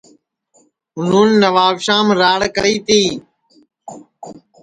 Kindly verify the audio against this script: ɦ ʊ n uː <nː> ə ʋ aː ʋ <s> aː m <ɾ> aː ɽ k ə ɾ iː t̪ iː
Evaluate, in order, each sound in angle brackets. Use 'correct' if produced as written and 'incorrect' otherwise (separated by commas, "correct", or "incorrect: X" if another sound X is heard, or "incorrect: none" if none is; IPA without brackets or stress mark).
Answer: correct, incorrect: ʃ, correct